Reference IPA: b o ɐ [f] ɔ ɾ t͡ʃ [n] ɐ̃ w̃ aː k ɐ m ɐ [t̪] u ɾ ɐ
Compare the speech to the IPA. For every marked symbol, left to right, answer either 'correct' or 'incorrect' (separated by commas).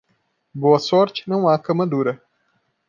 incorrect, correct, incorrect